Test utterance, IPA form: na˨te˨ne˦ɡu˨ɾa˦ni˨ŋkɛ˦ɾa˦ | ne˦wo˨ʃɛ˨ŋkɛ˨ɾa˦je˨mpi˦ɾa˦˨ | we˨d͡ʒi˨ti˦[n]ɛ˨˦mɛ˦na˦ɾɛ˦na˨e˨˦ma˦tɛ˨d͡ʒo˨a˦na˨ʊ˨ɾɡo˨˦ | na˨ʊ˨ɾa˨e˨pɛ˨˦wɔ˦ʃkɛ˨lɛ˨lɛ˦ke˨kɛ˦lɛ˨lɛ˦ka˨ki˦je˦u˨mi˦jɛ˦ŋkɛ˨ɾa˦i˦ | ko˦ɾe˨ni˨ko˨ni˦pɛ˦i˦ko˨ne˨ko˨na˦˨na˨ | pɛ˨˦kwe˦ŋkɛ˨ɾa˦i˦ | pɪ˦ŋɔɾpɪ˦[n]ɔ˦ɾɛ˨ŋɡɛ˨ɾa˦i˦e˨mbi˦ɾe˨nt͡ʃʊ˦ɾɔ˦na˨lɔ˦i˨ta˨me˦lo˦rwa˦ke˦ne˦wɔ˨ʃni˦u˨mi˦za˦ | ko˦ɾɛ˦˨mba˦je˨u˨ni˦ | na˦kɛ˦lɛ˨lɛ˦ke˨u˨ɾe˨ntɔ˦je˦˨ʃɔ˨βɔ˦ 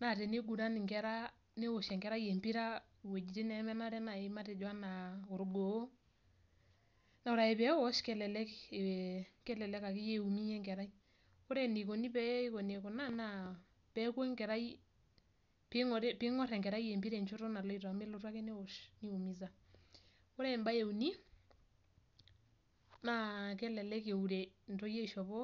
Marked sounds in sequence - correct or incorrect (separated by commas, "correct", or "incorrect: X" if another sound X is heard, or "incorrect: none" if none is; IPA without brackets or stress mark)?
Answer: correct, incorrect: ŋ